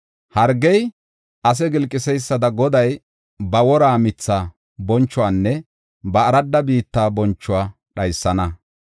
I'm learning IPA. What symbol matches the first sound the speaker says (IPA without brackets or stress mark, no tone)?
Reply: h